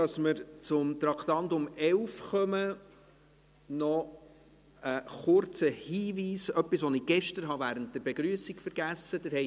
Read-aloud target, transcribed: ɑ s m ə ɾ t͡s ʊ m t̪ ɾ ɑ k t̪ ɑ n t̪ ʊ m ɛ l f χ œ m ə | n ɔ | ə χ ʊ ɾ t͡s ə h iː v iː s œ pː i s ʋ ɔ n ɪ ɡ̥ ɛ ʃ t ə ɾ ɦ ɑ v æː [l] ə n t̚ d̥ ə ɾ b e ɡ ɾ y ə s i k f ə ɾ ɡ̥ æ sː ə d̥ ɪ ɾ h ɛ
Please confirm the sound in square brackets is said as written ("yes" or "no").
no